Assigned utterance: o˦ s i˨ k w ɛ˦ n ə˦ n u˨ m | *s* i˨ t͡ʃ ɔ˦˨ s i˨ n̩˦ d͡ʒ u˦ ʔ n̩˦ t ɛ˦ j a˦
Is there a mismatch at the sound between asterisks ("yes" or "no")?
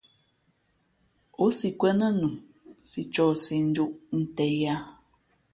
no